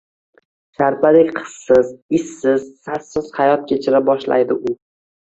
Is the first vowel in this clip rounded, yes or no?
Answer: no